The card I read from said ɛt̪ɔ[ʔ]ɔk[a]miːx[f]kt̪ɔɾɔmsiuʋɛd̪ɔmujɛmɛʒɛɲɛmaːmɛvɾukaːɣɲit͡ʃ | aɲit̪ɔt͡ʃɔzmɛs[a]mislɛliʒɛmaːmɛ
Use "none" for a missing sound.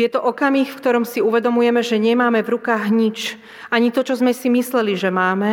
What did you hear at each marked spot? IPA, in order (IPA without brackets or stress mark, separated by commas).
ʔ, a, f, i